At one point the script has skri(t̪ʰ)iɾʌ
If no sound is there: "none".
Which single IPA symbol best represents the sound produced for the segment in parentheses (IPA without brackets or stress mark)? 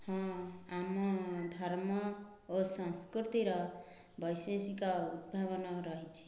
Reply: t̪